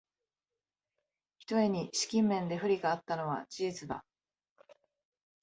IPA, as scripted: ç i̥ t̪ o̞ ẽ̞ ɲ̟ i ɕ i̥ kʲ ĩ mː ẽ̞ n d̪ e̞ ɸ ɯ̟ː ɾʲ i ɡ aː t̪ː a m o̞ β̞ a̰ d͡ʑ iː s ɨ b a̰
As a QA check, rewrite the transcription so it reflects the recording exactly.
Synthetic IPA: ç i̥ t̪ o̞ e̞ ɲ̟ i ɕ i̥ kʲ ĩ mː ẽ̞ n d̪ e̞ ɸ ɯ̟ ɾʲ i ɡ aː t̪ː a n o̞ β̞ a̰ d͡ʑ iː t͡s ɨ b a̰